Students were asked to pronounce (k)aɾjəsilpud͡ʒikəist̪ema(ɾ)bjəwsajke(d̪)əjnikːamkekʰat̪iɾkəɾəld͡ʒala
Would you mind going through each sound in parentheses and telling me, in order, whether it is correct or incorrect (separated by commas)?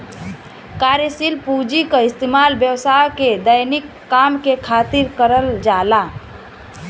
correct, incorrect, correct